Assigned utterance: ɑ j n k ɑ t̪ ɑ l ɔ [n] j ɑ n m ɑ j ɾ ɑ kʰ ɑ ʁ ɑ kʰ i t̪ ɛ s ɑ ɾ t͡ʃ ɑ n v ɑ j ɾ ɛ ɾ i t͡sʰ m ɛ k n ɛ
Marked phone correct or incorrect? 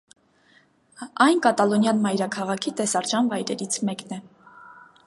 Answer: correct